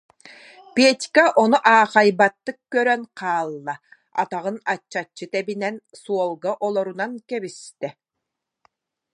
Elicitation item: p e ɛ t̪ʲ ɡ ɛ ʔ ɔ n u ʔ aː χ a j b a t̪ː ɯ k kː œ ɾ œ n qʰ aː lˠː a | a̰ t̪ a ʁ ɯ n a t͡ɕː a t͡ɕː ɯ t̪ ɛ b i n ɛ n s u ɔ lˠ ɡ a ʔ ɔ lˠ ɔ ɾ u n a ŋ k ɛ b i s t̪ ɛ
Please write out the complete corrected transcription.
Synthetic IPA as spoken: p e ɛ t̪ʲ k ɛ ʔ ɔ n u ʔ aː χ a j b a t̪ː ɯ k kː œ ɾ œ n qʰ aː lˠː a | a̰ t̪ a ʁ ɯ n a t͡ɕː a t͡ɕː ɯ t̪ ɛ b i n ɛ n s u ɔ lˠ ɡ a ʔ ɔ lˠ ɔ ɾ u n a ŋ k ɛ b i s t̪ ɛ